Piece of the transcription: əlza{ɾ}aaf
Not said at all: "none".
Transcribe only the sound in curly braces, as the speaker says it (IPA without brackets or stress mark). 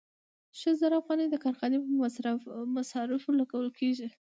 ɾ